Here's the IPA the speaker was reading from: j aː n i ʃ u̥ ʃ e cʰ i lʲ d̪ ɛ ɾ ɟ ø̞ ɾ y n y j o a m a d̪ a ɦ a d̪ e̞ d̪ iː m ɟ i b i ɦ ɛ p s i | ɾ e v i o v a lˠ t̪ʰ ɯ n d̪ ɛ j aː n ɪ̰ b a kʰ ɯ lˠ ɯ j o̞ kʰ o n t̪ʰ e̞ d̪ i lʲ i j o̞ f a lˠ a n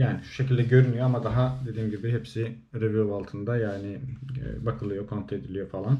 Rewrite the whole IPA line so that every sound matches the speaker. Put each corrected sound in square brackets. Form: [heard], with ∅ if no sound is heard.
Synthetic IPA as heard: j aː n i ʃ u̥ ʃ e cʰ i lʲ d̪ ɛ [∅] ɟ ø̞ ɾ y n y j o a m a d̪ a ɦ a d̪ e̞ d̪ iː m ɟ i b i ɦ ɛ p s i | ɾ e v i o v a lˠ t̪ʰ ɯ n d̪ [a] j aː n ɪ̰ b a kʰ ɯ lˠ ɯ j o̞ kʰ o n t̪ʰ e̞ d̪ i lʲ i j o̞ f a lˠ a n